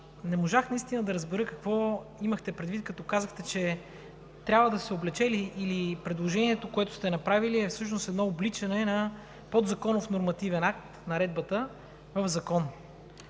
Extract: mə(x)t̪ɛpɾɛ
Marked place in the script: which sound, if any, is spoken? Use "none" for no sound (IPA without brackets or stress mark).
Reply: x